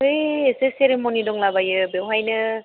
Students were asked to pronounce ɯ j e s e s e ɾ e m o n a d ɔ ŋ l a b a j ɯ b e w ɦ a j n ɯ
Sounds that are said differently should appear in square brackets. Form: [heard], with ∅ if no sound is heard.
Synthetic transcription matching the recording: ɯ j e s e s e ɾ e m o n [i] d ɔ ŋ l a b a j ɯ b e w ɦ a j n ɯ